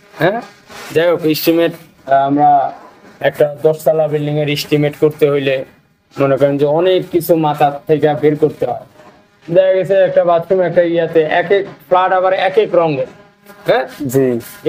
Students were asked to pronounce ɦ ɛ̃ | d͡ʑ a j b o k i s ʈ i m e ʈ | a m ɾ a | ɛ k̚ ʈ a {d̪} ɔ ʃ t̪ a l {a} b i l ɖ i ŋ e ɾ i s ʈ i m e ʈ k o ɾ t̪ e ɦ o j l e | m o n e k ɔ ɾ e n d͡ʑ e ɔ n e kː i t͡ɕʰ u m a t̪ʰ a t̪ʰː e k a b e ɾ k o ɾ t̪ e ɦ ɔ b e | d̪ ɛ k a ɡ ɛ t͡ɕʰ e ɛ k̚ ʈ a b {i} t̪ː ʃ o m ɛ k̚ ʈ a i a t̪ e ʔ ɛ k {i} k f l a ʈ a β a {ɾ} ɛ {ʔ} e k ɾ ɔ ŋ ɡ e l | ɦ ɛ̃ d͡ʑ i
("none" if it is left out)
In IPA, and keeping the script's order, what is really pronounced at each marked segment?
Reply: d̪, a, a, e, ɾ, k

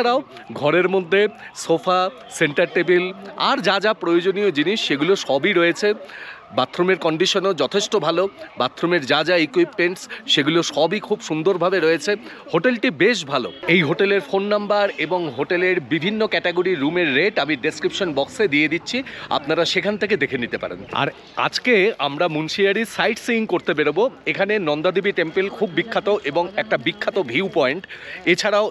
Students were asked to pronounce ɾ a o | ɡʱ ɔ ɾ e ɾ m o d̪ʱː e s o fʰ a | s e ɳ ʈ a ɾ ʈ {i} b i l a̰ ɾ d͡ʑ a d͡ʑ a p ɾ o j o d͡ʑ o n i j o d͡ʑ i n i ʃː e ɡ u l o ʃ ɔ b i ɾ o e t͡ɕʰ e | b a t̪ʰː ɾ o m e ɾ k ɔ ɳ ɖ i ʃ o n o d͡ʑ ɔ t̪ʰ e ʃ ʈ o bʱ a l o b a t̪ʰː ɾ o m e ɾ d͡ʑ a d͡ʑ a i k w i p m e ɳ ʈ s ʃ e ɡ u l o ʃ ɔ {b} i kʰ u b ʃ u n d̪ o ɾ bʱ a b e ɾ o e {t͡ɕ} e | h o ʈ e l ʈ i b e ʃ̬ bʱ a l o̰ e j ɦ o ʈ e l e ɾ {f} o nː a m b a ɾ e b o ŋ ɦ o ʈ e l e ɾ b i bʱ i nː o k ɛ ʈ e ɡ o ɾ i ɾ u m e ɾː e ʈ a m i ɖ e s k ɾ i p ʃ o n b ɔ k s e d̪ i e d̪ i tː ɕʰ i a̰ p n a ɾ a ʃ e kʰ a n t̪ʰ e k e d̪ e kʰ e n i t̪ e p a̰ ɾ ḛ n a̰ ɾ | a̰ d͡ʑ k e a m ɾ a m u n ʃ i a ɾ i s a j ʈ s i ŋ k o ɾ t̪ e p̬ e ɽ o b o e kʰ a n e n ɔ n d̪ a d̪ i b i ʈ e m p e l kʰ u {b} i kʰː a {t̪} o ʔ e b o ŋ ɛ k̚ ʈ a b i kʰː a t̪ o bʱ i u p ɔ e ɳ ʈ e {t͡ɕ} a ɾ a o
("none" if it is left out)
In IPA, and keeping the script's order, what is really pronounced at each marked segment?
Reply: e, b, t͡ɕʰ, f, bː, t̪, t͡ɕʰ

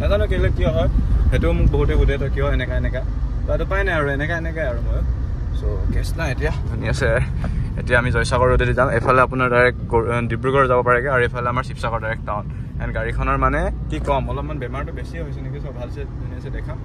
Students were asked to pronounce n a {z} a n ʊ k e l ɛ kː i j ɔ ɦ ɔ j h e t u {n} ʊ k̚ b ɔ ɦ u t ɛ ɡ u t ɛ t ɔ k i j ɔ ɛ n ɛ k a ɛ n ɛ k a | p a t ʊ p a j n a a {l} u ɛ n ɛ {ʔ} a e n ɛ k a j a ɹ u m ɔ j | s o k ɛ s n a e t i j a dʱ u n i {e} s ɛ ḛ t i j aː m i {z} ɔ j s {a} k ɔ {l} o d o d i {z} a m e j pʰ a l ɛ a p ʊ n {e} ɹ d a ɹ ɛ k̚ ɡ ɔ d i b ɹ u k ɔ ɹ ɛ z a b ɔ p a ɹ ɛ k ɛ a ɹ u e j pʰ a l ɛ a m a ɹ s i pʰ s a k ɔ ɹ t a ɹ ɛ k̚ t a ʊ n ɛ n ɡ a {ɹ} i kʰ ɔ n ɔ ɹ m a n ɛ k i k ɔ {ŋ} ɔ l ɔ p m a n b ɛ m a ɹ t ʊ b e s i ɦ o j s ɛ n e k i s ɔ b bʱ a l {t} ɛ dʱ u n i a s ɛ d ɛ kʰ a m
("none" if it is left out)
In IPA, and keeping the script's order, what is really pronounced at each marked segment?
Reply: z, m, ɹ, k, a, z, a, ɹ, z, a, ɹ, m, s

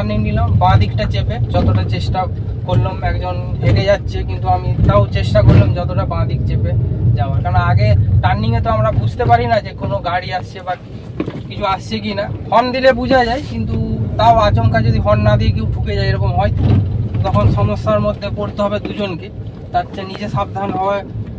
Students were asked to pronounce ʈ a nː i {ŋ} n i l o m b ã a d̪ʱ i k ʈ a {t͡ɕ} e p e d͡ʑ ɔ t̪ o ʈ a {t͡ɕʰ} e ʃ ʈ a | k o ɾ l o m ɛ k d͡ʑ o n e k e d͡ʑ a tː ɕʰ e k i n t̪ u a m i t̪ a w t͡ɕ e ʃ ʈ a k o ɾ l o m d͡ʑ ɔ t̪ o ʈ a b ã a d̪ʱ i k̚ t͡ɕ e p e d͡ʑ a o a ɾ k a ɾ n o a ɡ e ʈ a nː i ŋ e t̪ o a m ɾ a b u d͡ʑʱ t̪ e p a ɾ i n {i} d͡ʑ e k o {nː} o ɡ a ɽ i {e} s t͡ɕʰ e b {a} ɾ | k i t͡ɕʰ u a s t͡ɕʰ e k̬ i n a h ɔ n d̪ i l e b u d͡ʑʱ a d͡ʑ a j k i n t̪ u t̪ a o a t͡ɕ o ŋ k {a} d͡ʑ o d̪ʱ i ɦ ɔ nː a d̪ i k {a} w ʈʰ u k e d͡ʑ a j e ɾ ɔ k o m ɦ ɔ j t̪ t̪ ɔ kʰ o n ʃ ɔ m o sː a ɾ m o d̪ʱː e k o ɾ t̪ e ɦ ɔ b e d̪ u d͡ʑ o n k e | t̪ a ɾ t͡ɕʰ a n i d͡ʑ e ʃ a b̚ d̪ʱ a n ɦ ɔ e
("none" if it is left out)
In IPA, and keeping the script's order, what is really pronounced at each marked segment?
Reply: ŋ, t͡ɕ, t͡ɕ, a, n, a, a, a, e

